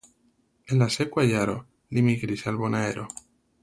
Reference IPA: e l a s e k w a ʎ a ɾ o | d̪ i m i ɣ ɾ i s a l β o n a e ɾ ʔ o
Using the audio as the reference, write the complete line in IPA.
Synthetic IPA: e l a s e k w a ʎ a ɾ o | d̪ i m i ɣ ɾ i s a l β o n a e ɾ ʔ o